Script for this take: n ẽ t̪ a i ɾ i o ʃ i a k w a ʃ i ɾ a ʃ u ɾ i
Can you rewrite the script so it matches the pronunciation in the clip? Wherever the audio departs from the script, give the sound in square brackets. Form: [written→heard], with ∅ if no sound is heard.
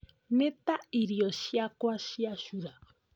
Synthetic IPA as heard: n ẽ t̪ a i ɾ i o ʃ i a k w a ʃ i [ɾ→∅] a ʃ u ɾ [i→a]